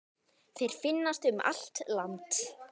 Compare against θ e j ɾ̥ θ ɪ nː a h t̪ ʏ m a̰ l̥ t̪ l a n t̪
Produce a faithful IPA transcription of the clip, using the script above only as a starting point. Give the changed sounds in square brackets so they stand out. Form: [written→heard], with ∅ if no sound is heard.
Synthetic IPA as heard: θ e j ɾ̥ [θ→f] ɪ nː a [h→s] t̪ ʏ m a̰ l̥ t̪ l a n t̪